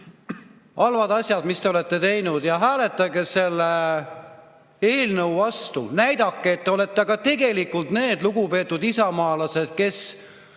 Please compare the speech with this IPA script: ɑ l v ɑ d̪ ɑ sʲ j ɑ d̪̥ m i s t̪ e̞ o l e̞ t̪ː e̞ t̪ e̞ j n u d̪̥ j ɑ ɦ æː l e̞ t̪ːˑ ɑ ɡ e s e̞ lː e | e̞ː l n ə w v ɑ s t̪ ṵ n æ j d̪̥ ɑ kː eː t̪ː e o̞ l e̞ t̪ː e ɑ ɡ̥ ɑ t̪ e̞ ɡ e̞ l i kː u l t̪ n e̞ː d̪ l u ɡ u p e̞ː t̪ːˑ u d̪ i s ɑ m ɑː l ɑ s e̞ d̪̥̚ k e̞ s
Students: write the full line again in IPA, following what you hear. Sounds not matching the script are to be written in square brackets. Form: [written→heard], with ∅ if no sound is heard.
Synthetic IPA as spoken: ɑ l v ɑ d̪ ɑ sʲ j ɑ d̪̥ m i s t̪ e̞ o l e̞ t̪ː e̞ t̪ e̞ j n u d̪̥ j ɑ ɦ æː l e̞ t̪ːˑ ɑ ɡ e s e̞ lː e | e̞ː l n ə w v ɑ s t̪ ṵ n æ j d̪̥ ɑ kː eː t̪ː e o̞ l e̞ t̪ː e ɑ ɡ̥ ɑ t̪ e̞ ɡ e̞ l i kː u l t̪ n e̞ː d̪ l u ɡ u p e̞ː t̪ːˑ u d̪ i s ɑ m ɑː l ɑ s e̞ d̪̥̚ k e̞ s